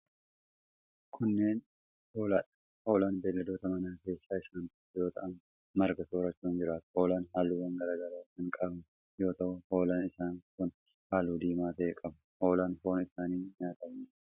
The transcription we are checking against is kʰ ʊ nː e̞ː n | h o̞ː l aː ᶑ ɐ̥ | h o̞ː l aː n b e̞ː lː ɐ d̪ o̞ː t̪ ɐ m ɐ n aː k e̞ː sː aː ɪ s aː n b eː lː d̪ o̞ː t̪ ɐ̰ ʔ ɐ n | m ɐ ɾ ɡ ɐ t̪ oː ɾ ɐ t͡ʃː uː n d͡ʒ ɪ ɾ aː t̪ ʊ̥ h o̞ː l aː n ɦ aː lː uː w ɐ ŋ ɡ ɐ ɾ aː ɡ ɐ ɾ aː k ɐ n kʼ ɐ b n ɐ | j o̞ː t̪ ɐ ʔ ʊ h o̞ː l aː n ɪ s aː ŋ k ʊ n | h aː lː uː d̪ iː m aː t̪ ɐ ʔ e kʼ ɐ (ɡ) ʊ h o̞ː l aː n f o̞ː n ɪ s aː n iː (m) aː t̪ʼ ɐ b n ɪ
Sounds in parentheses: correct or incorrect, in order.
incorrect, incorrect

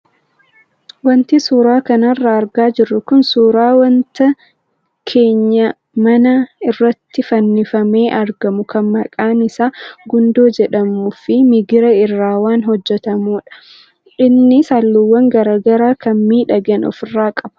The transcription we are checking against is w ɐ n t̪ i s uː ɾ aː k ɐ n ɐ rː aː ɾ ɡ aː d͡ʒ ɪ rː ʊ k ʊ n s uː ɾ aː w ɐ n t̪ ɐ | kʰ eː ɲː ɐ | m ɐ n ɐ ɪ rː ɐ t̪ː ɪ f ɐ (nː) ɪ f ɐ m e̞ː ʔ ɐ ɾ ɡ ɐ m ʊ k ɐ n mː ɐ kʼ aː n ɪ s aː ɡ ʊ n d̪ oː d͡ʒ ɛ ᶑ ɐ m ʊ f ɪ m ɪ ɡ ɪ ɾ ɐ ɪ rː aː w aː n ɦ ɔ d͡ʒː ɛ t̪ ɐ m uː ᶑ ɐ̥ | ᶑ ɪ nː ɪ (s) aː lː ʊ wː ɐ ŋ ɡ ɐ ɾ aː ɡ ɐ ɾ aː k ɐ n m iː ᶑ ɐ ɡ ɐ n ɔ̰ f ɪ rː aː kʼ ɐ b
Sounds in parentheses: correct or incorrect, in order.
correct, correct

